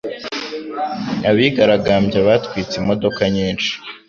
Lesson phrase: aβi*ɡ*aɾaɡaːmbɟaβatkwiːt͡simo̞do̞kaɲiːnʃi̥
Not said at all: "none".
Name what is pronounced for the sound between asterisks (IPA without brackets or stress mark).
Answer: ɡ